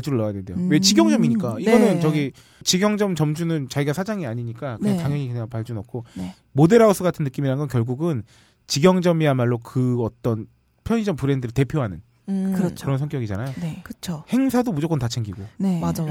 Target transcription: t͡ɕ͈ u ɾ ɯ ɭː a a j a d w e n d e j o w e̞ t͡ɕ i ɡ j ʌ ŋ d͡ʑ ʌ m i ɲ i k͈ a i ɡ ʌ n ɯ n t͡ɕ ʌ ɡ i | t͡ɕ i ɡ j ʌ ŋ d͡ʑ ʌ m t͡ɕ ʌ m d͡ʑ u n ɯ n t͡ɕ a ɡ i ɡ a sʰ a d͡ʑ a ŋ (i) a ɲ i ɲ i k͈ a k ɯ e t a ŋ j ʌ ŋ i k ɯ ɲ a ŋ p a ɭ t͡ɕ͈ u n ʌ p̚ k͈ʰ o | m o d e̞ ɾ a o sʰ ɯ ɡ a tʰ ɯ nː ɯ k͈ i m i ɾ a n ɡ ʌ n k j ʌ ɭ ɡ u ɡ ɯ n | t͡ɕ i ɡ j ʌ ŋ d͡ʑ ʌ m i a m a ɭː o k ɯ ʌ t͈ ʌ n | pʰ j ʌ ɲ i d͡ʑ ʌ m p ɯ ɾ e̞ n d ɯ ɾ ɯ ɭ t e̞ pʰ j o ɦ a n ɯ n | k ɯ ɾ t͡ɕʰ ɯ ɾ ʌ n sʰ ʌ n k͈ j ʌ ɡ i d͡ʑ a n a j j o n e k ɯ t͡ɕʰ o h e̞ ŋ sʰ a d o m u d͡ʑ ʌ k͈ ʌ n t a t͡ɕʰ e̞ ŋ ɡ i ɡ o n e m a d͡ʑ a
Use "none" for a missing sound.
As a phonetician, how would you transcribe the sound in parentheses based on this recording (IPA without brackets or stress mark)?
i